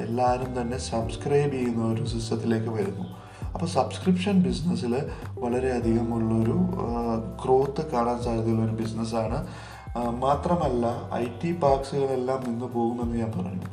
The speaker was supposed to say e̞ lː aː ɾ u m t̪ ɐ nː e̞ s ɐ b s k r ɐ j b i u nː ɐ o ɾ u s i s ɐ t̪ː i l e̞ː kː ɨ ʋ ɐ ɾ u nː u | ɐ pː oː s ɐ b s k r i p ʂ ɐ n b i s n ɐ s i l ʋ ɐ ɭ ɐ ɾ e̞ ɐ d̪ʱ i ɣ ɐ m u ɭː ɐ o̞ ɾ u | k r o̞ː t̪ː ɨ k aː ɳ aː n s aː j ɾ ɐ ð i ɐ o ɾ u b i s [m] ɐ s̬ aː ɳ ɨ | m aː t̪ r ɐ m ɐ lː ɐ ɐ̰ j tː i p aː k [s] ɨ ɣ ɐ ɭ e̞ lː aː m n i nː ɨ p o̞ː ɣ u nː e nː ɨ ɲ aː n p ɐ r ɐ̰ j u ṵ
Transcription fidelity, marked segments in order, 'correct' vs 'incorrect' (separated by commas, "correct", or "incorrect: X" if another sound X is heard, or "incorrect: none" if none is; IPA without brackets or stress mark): incorrect: n, correct